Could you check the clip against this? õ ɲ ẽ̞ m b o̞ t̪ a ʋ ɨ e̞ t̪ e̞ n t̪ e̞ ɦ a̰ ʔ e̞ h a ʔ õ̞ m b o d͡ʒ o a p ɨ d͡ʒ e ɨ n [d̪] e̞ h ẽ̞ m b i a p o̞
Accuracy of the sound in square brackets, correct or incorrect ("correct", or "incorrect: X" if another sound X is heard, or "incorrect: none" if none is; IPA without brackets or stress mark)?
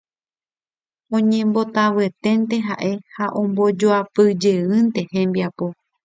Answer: incorrect: t̪